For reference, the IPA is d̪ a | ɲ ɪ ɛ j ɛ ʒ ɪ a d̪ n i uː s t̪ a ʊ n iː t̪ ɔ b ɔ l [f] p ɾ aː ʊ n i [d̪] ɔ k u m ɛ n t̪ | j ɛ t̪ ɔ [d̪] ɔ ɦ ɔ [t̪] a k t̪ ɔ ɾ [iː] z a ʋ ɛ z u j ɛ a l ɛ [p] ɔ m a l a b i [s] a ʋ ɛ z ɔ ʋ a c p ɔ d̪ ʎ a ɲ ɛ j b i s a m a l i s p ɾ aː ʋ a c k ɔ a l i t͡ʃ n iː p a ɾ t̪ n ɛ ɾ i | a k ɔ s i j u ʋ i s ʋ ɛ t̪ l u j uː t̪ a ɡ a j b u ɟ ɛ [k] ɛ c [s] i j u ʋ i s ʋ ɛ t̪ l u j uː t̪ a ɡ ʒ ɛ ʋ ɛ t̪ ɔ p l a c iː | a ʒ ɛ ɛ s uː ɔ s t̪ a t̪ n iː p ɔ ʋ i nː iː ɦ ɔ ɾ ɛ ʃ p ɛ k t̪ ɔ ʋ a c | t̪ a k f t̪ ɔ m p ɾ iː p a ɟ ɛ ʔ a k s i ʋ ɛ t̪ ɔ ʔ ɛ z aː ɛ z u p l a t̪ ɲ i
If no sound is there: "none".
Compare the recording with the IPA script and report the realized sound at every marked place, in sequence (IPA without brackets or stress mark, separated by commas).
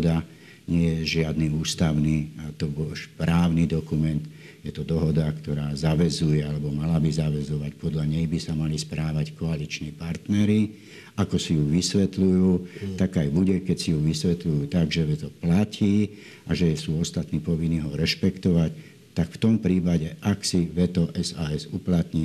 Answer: ʃ, d̪, d̪, d̪, aː, b, z, k, s